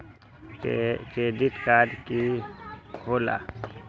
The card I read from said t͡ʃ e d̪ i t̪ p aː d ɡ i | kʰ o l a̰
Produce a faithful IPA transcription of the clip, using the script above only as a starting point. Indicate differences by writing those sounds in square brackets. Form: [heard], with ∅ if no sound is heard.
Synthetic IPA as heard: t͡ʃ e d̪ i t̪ [k] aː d [k] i | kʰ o l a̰